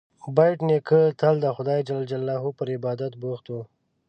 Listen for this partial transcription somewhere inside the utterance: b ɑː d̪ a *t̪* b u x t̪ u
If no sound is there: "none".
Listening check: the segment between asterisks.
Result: t̪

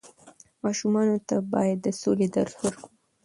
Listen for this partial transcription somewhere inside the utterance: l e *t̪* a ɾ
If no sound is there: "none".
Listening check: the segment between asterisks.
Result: d̪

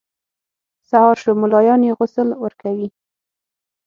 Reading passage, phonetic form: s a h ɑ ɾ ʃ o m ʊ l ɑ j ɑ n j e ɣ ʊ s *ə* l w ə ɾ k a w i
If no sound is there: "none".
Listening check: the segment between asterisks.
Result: ə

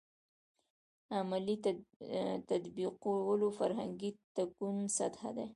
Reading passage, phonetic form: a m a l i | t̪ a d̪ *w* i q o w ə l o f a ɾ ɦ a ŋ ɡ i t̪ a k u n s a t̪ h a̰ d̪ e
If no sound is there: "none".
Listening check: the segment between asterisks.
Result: b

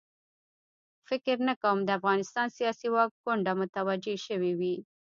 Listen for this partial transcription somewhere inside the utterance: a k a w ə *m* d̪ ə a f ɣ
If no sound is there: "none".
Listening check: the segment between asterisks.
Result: m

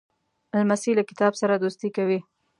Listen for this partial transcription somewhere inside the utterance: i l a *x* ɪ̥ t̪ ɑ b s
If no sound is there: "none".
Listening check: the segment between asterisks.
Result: k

